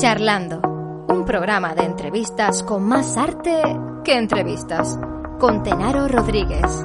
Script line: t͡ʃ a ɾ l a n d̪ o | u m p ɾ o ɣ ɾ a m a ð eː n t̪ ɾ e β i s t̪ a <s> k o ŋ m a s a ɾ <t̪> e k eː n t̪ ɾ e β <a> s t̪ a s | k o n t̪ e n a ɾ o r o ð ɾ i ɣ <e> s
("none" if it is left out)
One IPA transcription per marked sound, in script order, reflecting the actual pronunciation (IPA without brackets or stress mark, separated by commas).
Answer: s, t̪, i, e